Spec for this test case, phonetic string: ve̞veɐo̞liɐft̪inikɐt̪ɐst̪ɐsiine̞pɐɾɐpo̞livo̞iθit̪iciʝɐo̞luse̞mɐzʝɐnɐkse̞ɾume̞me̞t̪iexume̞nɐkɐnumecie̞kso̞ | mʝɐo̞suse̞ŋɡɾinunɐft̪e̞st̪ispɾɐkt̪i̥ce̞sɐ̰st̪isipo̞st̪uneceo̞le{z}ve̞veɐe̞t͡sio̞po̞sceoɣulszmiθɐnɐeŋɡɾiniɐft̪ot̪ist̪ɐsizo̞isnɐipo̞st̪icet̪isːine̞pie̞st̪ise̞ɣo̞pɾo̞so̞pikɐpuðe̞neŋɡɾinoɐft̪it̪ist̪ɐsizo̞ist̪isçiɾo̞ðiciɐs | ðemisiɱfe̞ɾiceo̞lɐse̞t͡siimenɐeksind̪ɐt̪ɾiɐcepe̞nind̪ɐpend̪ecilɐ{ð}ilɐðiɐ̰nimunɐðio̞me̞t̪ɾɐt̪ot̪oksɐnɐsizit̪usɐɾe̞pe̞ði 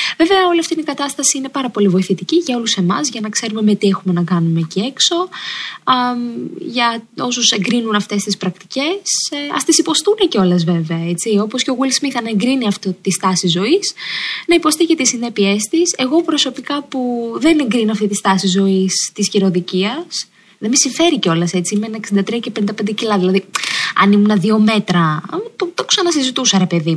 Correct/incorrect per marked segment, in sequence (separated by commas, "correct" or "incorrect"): correct, correct